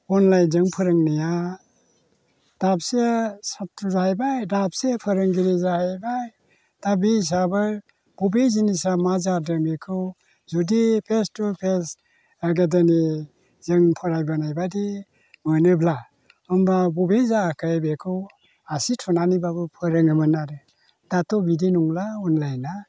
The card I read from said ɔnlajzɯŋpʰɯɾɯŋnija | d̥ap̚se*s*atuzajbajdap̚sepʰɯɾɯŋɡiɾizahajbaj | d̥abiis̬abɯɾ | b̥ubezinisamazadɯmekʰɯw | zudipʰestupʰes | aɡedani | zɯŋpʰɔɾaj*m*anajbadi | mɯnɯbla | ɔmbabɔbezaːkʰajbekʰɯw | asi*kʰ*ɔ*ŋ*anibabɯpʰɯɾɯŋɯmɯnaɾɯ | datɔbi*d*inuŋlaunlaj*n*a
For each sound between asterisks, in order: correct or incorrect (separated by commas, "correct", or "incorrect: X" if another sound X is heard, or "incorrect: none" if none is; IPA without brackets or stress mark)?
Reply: correct, incorrect: b, incorrect: tʰ, incorrect: n, correct, correct